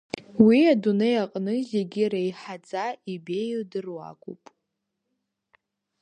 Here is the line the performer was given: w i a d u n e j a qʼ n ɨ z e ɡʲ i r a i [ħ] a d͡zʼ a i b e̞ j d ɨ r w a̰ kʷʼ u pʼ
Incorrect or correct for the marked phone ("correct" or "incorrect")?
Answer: correct